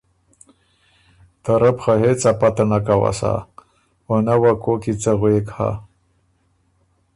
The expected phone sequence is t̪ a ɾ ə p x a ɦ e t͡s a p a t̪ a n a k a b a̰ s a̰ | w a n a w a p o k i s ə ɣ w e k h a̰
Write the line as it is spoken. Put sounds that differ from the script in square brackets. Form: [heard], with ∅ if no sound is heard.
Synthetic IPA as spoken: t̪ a ɾ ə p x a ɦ e t͡s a p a t̪ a n a k a [w] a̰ s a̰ | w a n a w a [k] o k i [t͡s] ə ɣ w e k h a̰